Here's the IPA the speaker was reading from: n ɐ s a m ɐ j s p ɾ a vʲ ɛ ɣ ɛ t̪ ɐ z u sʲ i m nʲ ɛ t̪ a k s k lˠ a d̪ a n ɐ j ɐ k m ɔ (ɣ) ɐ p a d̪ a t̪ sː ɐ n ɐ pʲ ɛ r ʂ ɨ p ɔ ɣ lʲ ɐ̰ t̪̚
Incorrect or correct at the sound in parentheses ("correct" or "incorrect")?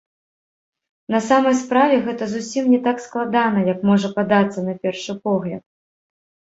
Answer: incorrect